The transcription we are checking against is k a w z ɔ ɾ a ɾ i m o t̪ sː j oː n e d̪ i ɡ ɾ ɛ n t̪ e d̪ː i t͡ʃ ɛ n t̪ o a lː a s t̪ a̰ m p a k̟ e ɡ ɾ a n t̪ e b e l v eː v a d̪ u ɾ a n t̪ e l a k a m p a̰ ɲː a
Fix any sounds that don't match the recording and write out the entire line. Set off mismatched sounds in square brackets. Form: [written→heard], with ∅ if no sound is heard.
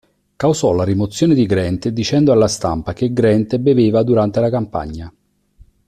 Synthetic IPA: k a w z ɔ [ɾ→l] a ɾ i m o t̪ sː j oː n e d̪ i ɡ ɾ ɛ n t̪ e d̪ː i t͡ʃ ɛ n [t̪→d̪] o a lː a s t̪ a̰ m p a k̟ e ɡ ɾ [a→ɛ] n t̪ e b e [l→∅] v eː v a d̪ u ɾ a n t̪ e l a k a m p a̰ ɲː a